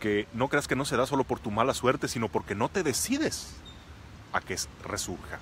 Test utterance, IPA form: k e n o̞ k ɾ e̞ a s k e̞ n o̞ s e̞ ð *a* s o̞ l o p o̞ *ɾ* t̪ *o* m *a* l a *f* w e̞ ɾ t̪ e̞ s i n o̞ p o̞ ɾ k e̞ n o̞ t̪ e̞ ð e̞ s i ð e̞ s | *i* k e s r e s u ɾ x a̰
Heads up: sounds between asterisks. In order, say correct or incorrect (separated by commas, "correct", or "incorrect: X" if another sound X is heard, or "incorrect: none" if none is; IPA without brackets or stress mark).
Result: correct, correct, incorrect: u, correct, incorrect: s, incorrect: a